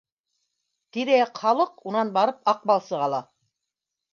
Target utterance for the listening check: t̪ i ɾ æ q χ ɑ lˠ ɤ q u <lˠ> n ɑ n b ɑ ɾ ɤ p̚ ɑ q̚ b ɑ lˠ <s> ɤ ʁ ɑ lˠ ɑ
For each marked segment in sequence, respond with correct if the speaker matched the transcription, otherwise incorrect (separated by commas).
incorrect, correct